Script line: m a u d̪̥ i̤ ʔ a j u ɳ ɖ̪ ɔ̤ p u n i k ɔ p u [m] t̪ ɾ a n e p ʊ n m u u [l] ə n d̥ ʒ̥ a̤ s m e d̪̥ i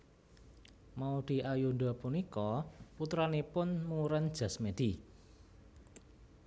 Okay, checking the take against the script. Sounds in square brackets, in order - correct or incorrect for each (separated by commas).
incorrect, incorrect